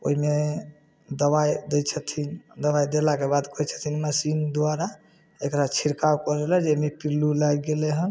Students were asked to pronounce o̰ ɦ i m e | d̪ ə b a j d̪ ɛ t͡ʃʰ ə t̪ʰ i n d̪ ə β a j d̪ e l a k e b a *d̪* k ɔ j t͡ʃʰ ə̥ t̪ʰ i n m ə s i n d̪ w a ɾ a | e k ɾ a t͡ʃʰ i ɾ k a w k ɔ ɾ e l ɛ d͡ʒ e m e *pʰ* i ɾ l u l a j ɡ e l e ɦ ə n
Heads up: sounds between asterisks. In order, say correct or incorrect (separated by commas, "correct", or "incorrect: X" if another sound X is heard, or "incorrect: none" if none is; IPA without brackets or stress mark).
correct, incorrect: p